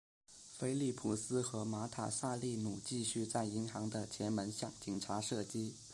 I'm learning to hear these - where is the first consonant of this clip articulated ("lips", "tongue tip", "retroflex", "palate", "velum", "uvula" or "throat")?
lips